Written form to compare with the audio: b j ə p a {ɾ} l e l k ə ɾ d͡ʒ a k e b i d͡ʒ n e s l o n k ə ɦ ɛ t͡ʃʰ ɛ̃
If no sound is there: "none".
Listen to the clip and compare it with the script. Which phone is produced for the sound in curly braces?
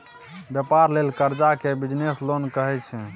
ɾ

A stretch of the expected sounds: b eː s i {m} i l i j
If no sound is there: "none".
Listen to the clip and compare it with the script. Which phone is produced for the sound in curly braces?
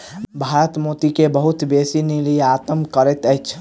n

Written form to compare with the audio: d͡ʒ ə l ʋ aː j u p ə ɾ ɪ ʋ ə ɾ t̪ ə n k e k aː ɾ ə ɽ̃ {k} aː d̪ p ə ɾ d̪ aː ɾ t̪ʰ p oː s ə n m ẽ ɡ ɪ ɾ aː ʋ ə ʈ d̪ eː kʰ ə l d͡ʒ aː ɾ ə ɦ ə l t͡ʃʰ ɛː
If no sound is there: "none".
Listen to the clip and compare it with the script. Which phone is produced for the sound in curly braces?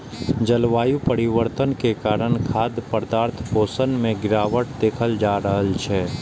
kʰ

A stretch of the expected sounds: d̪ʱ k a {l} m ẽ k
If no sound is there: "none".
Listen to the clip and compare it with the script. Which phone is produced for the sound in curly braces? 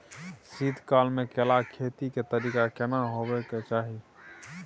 l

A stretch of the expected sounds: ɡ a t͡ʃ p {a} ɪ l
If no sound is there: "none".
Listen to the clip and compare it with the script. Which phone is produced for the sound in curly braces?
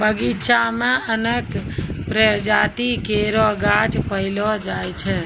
ə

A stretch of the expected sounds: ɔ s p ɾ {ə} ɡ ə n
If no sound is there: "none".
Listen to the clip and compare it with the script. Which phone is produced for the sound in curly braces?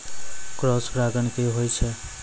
a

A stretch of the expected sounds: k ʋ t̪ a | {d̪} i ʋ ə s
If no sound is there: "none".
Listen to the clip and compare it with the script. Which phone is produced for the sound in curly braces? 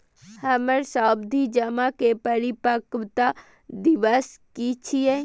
d̪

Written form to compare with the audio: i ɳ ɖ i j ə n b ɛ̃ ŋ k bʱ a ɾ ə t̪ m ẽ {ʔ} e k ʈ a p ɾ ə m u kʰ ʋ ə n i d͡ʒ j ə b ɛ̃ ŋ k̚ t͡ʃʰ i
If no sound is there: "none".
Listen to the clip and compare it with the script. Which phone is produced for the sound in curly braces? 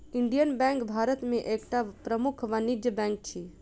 ʔ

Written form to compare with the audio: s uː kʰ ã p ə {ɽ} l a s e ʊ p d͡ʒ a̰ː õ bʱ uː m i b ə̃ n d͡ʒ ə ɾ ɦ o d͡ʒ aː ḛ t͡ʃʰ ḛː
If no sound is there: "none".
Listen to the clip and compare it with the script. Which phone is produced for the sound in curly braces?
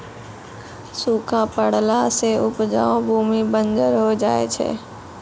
ɽ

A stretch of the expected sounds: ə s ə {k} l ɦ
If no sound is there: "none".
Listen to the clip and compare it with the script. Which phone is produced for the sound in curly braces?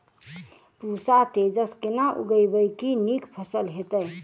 none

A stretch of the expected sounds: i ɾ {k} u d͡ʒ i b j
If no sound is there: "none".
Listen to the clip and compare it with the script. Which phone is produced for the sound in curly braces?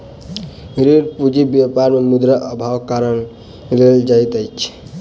p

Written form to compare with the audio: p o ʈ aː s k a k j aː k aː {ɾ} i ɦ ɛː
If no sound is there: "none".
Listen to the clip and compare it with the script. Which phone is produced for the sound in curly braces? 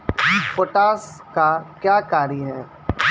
ɾ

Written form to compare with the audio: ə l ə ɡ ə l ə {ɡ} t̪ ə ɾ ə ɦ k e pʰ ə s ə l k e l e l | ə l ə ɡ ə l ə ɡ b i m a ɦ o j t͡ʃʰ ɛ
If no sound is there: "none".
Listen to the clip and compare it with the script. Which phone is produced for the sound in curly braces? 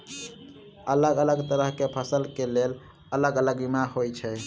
ɡ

